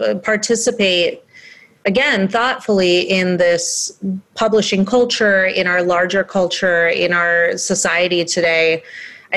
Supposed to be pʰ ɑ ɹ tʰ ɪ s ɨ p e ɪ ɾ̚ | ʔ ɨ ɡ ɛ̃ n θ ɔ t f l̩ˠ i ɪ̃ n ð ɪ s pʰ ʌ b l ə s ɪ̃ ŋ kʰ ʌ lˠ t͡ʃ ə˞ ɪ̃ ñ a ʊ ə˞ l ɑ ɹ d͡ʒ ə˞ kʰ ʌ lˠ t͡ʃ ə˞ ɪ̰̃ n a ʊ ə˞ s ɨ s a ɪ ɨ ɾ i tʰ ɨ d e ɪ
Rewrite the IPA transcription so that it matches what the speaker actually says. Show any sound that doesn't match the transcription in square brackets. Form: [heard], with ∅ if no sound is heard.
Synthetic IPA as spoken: pʰ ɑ ɹ tʰ ɪ s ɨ p e ɪ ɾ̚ | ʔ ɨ ɡ ɛ̃ n θ ɔ t f l̩ˠ i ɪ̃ n ð ɪ s pʰ ʌ b l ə [ʃ] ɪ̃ ŋ kʰ ʌ lˠ t͡ʃ ə˞ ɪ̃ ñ a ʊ ə˞ l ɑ ɹ d͡ʒ ə˞ kʰ ʌ lˠ t͡ʃ ə˞ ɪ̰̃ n a ʊ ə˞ s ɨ s a ɪ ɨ ɾ i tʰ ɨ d e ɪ